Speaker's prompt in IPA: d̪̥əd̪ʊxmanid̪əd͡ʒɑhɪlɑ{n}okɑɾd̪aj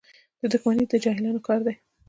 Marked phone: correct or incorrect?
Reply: correct